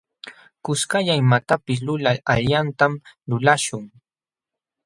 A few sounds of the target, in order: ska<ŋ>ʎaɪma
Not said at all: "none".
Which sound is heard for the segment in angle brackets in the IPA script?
none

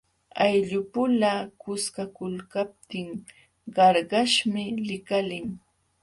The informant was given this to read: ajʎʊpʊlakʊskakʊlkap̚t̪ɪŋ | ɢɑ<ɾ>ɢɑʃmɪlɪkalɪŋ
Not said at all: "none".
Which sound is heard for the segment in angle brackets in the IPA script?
ɾ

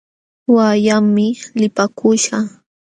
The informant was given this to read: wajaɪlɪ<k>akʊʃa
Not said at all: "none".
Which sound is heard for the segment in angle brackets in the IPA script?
p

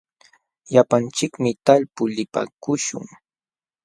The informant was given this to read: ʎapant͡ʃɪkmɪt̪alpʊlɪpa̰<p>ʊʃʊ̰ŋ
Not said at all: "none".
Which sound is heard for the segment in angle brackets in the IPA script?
k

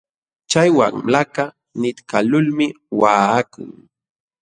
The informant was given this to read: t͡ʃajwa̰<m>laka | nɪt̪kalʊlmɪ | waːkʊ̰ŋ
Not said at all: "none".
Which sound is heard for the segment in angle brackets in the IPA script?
ŋ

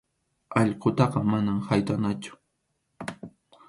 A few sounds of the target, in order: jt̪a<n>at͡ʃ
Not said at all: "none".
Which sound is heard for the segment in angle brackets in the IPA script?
n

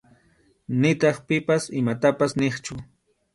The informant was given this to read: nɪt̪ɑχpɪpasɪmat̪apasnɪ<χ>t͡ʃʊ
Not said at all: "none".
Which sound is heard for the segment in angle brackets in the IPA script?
χ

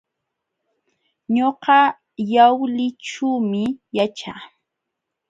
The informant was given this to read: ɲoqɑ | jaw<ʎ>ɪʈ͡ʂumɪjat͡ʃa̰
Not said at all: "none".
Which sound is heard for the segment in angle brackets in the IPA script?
l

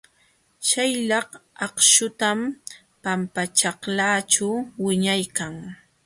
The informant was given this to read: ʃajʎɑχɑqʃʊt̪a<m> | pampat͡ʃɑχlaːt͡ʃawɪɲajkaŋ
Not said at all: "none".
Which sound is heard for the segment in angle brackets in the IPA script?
m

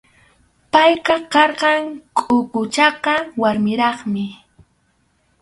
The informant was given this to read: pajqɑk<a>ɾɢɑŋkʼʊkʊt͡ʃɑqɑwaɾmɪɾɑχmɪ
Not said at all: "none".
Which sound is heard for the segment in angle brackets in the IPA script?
ɑ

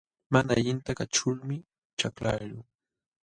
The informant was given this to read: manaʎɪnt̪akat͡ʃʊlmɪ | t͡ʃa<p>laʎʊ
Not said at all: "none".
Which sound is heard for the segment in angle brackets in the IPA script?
k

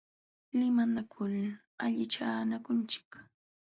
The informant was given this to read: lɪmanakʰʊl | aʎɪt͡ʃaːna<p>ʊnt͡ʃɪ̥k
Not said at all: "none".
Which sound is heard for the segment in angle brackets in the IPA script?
k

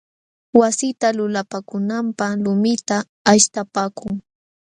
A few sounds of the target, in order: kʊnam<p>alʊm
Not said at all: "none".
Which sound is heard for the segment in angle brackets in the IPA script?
p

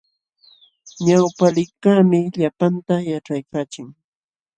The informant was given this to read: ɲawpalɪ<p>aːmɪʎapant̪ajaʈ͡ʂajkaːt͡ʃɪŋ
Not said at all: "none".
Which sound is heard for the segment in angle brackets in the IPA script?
k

